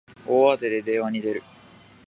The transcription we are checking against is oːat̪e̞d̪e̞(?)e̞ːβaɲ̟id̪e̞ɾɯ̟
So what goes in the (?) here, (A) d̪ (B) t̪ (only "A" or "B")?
A